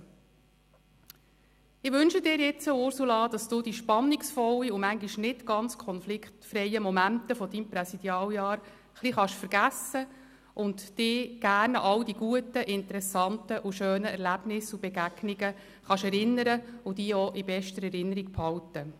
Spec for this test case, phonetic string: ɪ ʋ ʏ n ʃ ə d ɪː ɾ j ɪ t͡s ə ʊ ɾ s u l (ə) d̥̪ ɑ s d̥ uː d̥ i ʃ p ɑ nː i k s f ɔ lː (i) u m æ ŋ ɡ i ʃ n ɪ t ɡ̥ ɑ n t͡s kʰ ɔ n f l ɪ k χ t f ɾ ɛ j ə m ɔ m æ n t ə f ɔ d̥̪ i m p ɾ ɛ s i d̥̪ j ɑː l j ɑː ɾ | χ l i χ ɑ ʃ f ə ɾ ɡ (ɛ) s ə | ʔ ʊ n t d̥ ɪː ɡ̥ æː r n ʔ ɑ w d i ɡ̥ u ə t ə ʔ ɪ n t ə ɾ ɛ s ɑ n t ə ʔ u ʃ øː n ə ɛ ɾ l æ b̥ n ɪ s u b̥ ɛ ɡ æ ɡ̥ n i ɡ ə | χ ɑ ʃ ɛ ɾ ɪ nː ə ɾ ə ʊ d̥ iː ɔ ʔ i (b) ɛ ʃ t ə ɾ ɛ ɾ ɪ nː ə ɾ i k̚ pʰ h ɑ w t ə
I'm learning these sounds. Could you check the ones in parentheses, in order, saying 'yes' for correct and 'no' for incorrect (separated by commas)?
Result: no, yes, no, yes